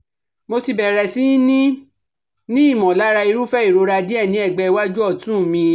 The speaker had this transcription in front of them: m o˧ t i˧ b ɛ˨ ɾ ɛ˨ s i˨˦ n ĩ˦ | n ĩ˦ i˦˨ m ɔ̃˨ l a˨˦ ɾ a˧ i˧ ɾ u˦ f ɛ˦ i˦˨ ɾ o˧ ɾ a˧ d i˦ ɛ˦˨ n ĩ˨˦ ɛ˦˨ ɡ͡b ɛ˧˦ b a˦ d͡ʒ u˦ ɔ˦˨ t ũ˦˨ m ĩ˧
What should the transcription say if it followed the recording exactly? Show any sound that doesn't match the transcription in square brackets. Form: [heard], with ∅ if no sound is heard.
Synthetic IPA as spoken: m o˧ t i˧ b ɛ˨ ɾ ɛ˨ s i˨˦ n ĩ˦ | n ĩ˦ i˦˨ m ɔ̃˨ l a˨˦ ɾ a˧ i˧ ɾ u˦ f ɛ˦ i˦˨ ɾ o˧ ɾ a˧ d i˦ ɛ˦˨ n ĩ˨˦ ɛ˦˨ ɡ͡b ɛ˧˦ [w] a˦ d͡ʒ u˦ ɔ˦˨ t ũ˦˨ m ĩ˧

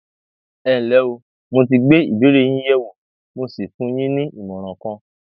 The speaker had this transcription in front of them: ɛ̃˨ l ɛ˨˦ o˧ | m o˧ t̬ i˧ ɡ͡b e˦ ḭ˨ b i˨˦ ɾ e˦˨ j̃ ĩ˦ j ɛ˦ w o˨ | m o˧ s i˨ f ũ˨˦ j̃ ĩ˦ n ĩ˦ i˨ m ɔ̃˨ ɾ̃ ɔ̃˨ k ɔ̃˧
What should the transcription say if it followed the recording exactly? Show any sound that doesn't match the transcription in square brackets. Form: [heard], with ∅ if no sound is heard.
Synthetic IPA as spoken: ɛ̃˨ l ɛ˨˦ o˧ | m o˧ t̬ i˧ ɡ͡b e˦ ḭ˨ b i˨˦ ɾ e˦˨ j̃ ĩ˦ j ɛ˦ w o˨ | m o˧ s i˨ f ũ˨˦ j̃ ĩ˦ n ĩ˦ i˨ m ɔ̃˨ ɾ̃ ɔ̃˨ k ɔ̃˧

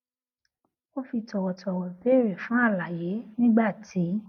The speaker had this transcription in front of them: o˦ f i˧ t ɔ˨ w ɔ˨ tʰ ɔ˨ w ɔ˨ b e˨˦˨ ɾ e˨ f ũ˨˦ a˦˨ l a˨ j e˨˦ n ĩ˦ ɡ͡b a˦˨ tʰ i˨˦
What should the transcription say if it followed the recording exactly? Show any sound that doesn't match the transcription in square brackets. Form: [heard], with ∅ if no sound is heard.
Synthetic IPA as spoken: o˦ f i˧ t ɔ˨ w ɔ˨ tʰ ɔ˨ w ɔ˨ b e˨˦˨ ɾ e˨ f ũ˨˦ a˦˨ l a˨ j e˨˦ n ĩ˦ ɡ͡b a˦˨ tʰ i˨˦

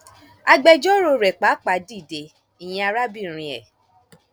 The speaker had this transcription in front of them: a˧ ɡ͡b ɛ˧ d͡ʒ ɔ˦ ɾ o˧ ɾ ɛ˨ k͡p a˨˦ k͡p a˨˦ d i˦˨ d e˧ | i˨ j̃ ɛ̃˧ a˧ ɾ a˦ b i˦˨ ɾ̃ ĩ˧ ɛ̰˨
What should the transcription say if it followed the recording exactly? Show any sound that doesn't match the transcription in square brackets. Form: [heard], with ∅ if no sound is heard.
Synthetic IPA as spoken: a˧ ɡ͡b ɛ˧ d͡ʒ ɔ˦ ɾ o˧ ɾ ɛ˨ k͡p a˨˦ k͡p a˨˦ d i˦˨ d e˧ | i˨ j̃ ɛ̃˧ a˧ ɾ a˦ b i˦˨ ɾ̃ ĩ˧ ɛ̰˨

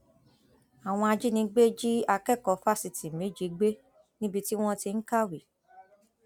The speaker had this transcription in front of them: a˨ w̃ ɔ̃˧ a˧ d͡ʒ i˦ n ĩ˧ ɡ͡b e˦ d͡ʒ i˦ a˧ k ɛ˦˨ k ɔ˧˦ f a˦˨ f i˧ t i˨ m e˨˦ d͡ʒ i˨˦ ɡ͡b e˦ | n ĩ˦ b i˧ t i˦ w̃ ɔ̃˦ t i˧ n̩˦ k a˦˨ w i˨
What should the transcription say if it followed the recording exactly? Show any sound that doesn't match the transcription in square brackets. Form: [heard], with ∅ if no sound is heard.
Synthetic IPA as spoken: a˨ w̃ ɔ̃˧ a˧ d͡ʒ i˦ n ĩ˧ ɡ͡b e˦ d͡ʒ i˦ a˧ k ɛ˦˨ k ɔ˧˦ f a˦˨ [s] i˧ t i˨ m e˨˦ d͡ʒ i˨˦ ɡ͡b e˦ | n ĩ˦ b i˧ t i˦ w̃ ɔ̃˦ t i˧ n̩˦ k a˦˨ w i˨

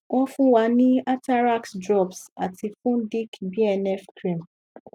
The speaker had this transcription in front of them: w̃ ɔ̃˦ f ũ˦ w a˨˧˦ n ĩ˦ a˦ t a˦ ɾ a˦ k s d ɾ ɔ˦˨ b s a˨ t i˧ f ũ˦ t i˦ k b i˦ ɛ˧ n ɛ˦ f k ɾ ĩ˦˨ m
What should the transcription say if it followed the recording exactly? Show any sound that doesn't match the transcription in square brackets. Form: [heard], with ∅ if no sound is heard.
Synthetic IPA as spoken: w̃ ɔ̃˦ f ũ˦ w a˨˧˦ n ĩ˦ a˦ t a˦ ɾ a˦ k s d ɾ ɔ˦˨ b s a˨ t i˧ f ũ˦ [d] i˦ k b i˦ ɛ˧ n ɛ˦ f k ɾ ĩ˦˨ m

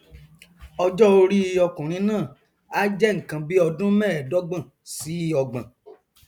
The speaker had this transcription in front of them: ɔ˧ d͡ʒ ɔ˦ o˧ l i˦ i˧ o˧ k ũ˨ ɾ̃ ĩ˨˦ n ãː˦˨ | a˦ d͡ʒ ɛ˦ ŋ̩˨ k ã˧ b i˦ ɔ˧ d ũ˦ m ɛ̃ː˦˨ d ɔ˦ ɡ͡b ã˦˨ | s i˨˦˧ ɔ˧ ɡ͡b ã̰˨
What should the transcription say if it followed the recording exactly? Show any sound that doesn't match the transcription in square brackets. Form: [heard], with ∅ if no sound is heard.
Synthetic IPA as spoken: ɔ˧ d͡ʒ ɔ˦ o˧ [ɾ] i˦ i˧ [ɔ˧] k ũ˨ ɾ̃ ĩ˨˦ n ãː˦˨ | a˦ d͡ʒ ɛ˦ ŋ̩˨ k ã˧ b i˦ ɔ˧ d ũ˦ m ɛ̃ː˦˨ d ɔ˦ ɡ͡b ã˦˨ | s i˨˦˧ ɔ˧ ɡ͡b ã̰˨

